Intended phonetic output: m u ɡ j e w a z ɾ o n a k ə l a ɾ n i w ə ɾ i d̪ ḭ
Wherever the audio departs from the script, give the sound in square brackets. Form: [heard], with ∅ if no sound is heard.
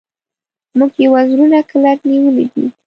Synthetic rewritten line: m u ɡ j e w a z ɾ [u] n a k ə l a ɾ n i w ə [l] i d̪ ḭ